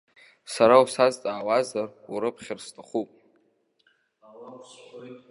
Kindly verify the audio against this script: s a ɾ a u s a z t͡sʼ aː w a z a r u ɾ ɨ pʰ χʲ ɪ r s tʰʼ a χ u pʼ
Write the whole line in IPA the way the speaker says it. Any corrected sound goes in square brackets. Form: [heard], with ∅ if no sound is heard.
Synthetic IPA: s a ɾ a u s a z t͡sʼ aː w a z a r u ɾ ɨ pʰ χʲ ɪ r s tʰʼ a χ u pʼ

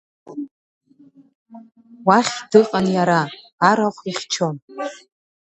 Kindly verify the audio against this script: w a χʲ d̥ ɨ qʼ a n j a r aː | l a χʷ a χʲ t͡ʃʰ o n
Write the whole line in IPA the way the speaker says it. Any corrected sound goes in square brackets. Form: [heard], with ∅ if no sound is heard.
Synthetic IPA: w a χʲ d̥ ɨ qʼ a n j a [ɾ] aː | [ɾ] a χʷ [i] χʲ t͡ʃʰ o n

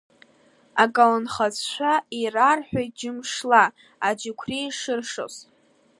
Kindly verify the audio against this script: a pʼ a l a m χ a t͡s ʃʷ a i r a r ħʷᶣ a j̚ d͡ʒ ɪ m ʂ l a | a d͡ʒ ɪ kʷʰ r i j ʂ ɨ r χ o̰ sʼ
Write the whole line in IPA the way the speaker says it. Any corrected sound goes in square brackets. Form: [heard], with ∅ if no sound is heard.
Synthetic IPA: a [kʼ] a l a [n] χ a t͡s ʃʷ a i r a r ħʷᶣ a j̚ d͡ʒ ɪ m ʂ l a | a d͡ʒ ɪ kʷʰ r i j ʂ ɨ r [ʂ] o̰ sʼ

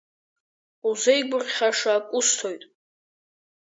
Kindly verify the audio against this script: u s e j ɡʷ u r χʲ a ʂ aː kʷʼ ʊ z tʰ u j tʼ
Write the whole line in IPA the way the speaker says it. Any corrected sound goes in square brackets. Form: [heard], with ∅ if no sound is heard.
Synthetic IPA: u [z] e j ɡʷ [ʊ] r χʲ a ʂ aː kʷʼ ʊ [s] tʰ [o] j tʼ

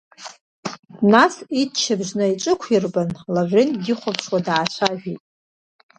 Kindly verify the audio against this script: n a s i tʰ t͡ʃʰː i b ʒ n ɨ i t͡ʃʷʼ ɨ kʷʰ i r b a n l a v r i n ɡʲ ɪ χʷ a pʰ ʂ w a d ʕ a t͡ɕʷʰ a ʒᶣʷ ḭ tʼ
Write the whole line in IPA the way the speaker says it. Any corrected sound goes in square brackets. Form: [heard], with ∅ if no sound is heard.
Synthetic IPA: n a s i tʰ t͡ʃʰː [a] b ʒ n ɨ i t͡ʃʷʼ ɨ kʷʰ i r b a n l a v r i n ɡʲ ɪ χʷ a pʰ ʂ w a d ʕ a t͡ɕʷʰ a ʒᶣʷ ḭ tʼ

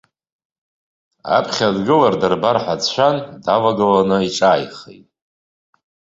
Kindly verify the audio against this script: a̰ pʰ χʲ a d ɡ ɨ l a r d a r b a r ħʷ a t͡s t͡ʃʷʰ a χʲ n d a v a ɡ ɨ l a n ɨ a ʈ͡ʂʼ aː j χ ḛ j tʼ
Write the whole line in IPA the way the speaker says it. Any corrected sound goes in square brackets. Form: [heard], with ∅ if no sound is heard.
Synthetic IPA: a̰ pʰ χʲ a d ɡ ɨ l a r d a r b a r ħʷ a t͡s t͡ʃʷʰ a [∅] n d a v a ɡ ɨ l a n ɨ [i] ʈ͡ʂʼ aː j χ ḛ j tʼ

